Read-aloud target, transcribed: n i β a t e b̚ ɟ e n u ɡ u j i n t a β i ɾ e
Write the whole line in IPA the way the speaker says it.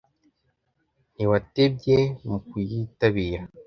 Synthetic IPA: n i w a t e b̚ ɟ e m u k u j i t a β i ɾ a